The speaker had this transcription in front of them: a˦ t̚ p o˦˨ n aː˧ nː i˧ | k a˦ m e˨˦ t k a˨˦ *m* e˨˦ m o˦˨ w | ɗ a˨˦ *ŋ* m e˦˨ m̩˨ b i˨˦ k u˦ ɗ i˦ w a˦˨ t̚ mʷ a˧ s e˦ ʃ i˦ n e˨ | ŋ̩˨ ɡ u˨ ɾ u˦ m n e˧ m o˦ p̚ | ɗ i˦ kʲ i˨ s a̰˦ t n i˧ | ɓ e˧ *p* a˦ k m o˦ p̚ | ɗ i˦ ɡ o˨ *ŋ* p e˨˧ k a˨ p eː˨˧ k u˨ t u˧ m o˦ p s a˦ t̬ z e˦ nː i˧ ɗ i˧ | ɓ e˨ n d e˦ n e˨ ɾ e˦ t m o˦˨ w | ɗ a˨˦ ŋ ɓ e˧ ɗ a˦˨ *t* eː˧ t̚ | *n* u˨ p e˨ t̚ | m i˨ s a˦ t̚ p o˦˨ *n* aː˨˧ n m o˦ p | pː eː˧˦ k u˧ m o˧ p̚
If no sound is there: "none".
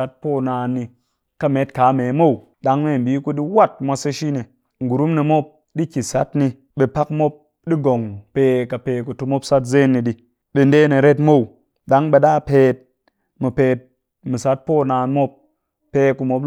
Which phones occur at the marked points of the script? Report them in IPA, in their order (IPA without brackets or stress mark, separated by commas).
m, ŋ, p, ŋ, p, m, n